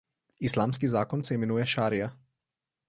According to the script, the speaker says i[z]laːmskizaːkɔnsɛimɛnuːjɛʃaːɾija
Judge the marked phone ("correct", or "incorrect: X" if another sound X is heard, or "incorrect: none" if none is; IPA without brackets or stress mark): incorrect: s